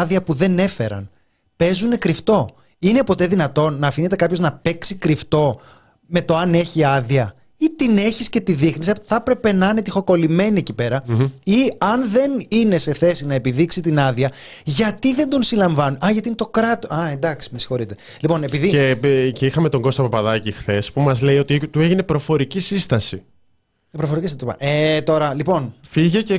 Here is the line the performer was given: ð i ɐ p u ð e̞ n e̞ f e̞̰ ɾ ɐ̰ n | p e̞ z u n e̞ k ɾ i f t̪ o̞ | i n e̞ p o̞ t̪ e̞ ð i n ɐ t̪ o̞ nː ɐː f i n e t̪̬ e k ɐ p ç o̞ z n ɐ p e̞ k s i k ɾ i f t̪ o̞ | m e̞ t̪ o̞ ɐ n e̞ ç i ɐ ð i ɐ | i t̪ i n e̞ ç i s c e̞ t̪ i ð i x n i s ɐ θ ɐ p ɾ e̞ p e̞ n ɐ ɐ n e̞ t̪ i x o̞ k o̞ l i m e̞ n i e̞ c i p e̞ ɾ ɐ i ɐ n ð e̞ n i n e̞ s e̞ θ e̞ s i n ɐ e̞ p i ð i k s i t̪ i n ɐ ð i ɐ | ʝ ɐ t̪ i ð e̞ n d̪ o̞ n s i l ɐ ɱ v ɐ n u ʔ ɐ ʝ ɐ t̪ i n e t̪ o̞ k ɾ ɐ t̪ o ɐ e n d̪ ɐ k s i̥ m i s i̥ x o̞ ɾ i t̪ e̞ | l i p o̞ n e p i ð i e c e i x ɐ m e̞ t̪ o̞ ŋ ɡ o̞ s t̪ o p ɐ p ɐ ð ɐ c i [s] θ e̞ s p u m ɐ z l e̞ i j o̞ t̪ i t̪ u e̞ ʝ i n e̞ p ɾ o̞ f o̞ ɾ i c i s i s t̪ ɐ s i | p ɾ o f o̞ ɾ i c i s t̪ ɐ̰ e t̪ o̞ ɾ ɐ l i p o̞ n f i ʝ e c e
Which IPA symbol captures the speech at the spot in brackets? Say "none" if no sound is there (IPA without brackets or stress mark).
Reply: x